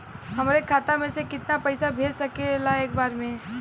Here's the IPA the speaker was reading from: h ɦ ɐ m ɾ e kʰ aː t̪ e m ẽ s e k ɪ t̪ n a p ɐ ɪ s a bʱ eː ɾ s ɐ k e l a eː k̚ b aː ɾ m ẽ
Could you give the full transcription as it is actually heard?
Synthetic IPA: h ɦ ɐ m ɾ e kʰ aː t̪ a m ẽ s e k ɪ t̪ n a p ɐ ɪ s a bʱ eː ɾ s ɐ k e l a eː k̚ b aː ɾ m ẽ

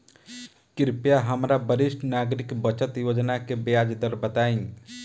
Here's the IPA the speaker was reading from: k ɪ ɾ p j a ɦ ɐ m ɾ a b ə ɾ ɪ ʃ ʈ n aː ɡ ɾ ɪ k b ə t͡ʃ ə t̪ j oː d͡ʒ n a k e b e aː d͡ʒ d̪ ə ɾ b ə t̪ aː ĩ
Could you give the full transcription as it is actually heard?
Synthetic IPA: k ɪ ɾ p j a ɦ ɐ m ɾ a b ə ɾ ɪ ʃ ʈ n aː ɡ ɾ ɪ k b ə t͡ʃ ə t̪ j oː d͡ʒ n a k e b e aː d͡ʒ d̪ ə ɾ b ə t̪ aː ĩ

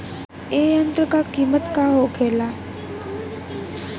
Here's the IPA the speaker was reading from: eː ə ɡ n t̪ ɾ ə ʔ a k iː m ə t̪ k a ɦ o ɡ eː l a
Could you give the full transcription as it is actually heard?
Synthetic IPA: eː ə n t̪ ɾ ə k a k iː m ə t̪ k a ɦ o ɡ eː l a

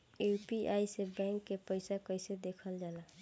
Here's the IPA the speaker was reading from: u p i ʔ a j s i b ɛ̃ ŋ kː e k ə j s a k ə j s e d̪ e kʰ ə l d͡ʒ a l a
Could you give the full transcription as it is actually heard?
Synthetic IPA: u p i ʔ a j s e b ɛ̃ ŋ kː e p ə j s a k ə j s e d̪ e kʰ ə l d͡ʒ a l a

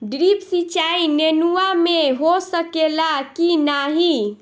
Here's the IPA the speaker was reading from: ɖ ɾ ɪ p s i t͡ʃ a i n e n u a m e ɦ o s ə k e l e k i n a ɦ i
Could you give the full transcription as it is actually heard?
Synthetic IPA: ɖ ɾ i p s i t͡ʃ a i n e n u a m e ɦ o s ə k e l a k i n a ɦ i

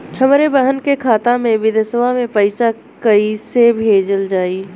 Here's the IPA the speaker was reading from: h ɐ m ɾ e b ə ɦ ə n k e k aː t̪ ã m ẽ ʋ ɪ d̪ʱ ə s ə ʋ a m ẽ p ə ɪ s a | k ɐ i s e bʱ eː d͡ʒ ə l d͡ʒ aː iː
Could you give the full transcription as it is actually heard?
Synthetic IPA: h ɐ m ɾ e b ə ɦ ə n k e kʰ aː t̪ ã m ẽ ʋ ɪ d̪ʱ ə s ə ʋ a m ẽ p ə ɪ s a | k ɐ i s e bʱ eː d͡ʒ ə l d͡ʒ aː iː

